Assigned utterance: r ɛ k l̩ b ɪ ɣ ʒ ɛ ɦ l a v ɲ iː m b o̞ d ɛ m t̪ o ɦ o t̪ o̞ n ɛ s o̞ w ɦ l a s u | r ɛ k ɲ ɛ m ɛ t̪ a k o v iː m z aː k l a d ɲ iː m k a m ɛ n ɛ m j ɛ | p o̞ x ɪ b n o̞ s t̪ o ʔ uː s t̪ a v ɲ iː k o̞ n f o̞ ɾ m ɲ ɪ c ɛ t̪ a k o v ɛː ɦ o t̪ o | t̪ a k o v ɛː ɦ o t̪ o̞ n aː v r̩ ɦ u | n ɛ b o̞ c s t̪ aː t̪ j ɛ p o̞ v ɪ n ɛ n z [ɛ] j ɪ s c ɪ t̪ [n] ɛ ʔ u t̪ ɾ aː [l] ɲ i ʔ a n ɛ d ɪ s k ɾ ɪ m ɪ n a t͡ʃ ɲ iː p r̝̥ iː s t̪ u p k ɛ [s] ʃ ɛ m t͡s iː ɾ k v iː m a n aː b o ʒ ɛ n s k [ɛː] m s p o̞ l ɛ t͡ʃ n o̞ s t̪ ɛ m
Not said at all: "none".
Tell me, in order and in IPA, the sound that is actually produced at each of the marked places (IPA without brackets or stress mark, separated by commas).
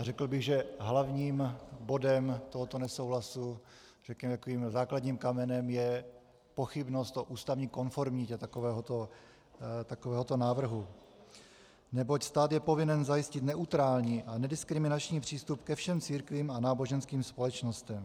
a, n, l, f, iː